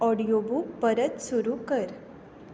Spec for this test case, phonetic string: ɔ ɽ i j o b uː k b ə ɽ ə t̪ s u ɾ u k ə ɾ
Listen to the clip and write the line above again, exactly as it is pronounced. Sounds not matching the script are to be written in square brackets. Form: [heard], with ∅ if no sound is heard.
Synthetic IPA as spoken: ɔ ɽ i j o b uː k [p] ə [ɾ] ə t̪ s u ɾ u k ə ɾ